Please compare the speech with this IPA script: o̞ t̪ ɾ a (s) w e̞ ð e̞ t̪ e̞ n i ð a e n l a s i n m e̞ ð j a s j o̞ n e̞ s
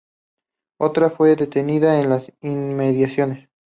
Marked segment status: incorrect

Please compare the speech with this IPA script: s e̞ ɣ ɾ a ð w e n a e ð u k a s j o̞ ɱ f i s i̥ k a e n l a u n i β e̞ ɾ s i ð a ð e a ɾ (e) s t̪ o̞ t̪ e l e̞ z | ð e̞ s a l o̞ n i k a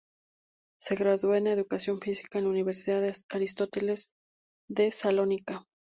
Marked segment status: incorrect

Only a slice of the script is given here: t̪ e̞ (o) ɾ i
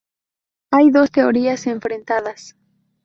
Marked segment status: correct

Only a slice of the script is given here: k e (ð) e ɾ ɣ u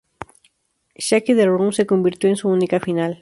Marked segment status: correct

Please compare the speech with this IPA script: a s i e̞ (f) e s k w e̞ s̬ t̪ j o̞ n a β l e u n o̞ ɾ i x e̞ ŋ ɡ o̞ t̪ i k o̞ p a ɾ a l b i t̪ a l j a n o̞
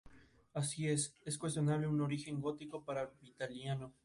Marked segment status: incorrect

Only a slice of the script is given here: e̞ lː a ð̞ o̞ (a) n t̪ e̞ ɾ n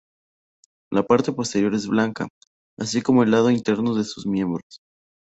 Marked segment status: incorrect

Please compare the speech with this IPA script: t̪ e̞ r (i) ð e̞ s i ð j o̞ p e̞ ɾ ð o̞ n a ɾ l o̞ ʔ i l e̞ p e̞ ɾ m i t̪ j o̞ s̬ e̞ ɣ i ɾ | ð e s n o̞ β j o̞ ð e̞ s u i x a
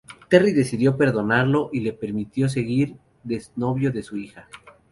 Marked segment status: correct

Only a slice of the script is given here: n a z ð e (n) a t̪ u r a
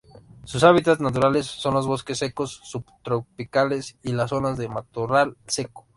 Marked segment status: incorrect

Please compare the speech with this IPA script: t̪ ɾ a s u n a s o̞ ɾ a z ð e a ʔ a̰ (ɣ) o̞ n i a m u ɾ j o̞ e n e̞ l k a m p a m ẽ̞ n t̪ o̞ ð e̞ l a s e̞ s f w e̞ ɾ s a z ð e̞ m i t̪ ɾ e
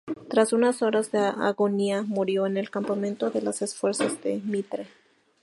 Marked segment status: correct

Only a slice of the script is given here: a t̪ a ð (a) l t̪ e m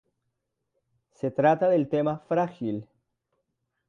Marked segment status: incorrect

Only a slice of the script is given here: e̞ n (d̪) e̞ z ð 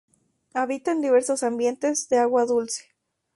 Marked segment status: incorrect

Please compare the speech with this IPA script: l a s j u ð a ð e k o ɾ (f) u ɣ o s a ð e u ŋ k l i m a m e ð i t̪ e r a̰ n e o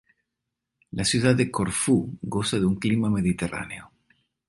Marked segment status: correct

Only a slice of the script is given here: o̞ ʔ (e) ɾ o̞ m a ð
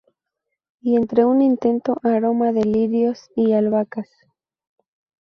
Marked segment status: incorrect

